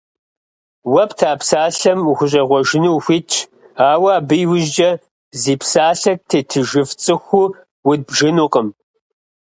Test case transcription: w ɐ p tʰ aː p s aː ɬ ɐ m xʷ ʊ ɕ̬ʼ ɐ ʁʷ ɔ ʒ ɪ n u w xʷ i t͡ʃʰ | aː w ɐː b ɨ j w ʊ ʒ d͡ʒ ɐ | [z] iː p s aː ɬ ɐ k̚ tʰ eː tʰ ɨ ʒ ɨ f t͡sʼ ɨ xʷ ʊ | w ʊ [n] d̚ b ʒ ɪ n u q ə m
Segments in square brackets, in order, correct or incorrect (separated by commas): correct, incorrect